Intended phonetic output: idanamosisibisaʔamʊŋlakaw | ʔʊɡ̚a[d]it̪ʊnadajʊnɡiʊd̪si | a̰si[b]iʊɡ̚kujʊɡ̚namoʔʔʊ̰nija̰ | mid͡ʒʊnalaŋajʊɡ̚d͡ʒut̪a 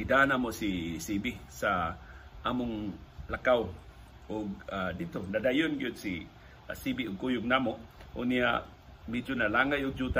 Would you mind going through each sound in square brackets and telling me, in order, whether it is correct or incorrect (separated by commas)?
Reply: correct, correct